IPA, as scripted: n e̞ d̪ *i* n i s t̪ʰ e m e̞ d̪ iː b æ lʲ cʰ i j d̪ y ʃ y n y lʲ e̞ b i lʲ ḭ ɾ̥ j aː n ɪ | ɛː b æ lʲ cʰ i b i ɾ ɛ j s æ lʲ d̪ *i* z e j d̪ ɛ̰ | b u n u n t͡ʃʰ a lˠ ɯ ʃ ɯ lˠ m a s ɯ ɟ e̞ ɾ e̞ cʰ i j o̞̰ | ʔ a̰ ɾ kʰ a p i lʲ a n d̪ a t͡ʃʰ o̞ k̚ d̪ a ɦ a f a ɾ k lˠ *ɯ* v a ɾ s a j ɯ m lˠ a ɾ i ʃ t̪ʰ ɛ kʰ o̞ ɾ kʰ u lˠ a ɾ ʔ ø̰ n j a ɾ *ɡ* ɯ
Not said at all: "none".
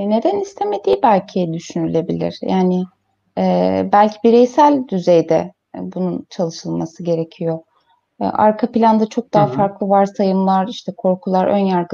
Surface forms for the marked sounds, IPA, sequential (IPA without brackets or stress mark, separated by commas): æ, y, ɯ, ɡ